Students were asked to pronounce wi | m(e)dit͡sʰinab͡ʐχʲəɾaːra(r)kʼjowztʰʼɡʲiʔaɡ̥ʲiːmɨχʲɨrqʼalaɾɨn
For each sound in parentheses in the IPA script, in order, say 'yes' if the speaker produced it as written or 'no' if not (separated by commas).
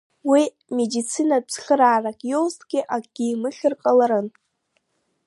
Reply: yes, no